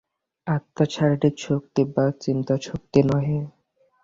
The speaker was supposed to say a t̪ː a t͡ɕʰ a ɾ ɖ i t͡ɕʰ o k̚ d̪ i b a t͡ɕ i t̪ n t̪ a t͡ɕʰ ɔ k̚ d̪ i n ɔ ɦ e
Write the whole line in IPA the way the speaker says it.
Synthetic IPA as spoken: a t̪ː a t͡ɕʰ a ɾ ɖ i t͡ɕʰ o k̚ t̪ i b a t͡ɕ i n t̪ a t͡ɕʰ o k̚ t̪ i n ɔ ɦ e